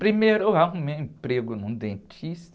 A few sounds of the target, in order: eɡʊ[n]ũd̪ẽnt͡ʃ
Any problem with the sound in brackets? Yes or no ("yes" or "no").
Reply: no